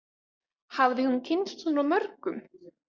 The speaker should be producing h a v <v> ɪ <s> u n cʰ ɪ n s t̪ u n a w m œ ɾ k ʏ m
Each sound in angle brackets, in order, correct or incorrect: incorrect, incorrect

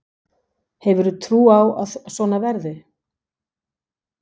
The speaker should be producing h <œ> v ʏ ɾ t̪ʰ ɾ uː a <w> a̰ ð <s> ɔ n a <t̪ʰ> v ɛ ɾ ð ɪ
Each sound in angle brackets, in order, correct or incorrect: incorrect, correct, correct, incorrect

